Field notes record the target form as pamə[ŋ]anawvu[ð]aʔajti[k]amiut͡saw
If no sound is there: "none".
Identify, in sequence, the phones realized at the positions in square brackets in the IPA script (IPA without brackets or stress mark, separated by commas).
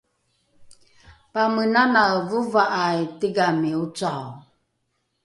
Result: n, v, ɡ